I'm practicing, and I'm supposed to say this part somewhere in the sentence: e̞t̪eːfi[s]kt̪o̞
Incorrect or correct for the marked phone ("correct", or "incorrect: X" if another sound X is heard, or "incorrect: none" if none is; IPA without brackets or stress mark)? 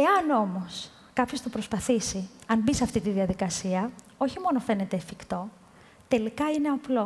incorrect: none